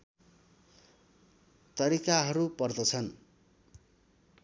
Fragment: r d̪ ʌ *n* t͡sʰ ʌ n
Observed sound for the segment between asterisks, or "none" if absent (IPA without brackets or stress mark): none